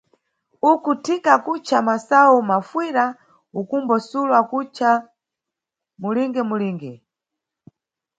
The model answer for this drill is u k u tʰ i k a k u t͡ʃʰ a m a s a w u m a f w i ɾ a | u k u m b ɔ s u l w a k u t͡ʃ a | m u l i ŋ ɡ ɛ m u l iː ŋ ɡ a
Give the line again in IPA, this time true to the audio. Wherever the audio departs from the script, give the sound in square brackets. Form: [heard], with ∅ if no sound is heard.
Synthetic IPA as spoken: u k u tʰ i k a k u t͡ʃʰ a m a s a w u m a f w i ɾ a | u k u m b ɔ s u l w a k u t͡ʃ a | m u l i ŋ ɡ ɛ m u l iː ŋ ɡ [ɛ]

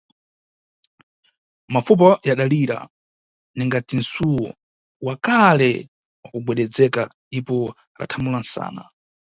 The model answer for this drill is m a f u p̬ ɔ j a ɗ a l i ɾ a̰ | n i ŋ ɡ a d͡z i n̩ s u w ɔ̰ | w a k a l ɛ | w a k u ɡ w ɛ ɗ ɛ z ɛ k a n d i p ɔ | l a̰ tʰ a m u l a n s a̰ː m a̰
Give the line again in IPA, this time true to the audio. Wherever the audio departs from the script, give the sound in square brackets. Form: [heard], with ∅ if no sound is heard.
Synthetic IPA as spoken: m a f u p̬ ɔ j a ɗ a l i ɾ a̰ | n i ŋ ɡ a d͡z i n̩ s u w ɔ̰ | w a k a l ɛ | w a k u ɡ w ɛ ɗ ɛ [d͡z] ɛ k a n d i p ɔ | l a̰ tʰ a m u l a n s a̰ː [n] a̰

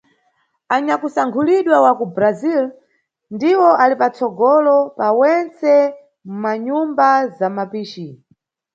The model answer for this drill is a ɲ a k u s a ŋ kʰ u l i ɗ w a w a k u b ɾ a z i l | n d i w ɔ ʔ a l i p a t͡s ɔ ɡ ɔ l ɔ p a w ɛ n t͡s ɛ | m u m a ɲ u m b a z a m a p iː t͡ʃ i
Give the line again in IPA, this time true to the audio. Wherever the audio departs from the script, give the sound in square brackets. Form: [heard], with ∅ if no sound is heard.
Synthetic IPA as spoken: a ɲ a k u s a ŋ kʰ u l i ɗ w a w a k u b ɾ a z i l | n d i w ɔ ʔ a l i p a t͡s ɔ ɡ ɔ l ɔ p a w ɛ n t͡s ɛ | m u m a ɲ u m b a z a m a p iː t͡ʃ i

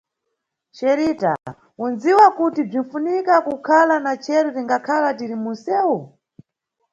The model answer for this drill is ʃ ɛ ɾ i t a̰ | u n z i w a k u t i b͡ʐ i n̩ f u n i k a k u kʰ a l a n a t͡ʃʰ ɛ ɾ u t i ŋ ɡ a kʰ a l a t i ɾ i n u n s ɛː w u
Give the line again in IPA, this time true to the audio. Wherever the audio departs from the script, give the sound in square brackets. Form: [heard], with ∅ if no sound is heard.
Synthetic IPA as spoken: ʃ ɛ ɾ i t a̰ | u n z i w a k u t i b͡ʐ i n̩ f u n i k a k u kʰ a l a n a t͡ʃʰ ɛ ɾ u t i ŋ ɡ a kʰ a l a t i ɾ i [m] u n s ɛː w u

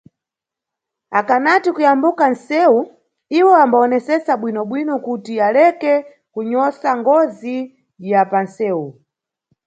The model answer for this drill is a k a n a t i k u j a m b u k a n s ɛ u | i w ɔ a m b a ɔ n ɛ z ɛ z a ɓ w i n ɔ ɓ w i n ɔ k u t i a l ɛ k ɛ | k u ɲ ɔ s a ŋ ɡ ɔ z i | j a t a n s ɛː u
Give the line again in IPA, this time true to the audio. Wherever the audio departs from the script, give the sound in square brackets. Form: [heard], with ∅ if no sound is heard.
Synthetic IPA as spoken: a k a n a t i k u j a m b u k a n s ɛ u | i w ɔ a m b a ɔ n ɛ [s] ɛ [s] a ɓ w i n ɔ ɓ w i n ɔ k u t i a l ɛ k ɛ | k u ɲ ɔ s a ŋ ɡ ɔ z i | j a [p] a n s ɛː u

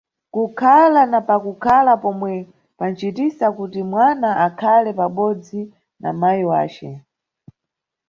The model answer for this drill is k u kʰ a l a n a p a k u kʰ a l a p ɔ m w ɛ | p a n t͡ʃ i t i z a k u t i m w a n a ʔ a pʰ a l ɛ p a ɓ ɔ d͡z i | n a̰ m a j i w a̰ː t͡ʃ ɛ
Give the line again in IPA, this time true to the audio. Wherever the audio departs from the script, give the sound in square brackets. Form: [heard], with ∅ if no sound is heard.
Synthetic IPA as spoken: k u kʰ a l a n a p a k u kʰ a l a p ɔ m w ɛ | p a n t͡ʃ i t i [s] a k u t i m w a n a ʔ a [kʰ] a l ɛ p a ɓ ɔ d͡z i | n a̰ m a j i w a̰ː t͡ʃ ɛ

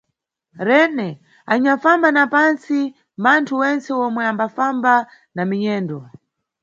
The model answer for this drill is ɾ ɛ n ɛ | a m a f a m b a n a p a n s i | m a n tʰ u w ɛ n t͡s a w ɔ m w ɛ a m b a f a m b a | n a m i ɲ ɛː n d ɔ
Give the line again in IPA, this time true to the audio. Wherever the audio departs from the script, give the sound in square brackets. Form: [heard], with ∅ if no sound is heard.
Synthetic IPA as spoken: ɾ ɛ n ɛ | a [ɲ] a f a m b a n a p a n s i | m a n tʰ u w ɛ n t͡s [ɛ] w ɔ m w ɛ a m b a f a m b a | n a m i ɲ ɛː n d ɔ

